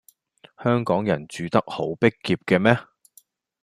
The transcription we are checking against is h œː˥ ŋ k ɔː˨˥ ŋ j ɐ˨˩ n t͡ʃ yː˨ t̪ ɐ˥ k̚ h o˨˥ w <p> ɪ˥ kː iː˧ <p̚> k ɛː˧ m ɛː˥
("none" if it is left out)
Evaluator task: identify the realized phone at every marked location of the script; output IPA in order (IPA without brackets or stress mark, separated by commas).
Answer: p, p̚